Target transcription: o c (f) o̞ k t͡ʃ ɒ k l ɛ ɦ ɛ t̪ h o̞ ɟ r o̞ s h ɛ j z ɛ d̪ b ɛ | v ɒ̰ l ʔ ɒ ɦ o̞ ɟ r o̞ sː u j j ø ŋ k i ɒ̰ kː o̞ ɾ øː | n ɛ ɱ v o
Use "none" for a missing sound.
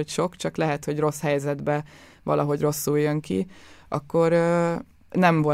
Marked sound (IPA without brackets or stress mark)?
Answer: ʃ